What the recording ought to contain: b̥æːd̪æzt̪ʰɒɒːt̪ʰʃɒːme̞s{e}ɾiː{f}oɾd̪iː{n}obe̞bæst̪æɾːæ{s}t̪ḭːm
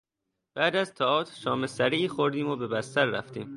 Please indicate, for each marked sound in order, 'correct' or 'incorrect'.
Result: incorrect, incorrect, incorrect, incorrect

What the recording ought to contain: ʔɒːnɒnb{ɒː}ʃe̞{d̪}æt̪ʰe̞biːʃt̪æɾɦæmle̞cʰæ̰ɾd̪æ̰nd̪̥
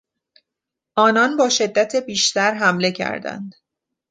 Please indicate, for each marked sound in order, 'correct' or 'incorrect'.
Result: correct, incorrect

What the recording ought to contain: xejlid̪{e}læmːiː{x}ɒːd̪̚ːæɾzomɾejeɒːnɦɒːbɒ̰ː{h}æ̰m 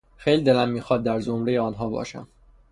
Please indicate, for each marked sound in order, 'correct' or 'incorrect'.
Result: correct, correct, incorrect

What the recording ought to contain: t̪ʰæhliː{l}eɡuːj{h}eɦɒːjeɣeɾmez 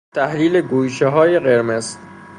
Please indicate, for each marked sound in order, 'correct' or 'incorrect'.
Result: correct, incorrect

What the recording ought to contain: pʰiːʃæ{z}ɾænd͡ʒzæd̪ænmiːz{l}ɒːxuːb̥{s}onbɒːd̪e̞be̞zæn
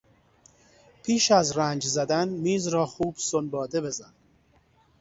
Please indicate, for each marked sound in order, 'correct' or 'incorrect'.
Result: correct, incorrect, correct

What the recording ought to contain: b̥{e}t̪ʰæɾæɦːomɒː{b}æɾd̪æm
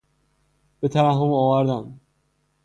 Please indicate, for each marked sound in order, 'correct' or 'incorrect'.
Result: correct, incorrect

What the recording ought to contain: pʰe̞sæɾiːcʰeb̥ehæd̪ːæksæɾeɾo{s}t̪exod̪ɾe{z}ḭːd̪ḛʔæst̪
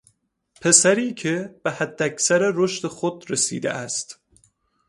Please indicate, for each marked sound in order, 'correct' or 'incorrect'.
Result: incorrect, incorrect

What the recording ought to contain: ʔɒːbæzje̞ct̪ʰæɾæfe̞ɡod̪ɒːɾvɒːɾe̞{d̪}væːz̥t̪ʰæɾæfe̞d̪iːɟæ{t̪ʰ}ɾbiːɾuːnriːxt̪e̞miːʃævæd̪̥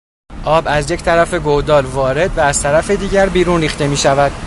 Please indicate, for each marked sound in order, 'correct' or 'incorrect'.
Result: correct, incorrect

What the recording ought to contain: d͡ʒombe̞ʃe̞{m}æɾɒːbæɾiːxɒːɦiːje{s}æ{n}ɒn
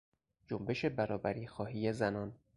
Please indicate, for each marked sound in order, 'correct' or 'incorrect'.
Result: incorrect, incorrect, correct

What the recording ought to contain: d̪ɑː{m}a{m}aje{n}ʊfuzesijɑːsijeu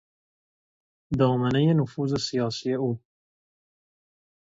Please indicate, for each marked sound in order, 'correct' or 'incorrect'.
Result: correct, incorrect, correct

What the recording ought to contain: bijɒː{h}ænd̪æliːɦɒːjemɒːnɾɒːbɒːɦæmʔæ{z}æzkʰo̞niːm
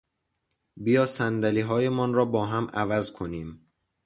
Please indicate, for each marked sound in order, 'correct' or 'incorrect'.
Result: incorrect, incorrect

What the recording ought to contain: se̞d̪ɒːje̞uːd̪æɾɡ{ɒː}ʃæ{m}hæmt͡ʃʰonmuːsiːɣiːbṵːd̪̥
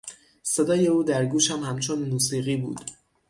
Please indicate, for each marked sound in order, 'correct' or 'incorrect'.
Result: incorrect, correct

